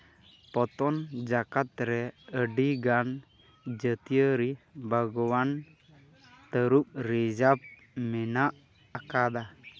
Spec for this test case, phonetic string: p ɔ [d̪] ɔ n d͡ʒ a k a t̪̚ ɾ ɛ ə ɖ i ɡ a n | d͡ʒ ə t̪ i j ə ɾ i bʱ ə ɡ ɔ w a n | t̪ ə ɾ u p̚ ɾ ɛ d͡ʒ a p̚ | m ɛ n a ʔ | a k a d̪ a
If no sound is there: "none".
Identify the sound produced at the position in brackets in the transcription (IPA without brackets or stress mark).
t̪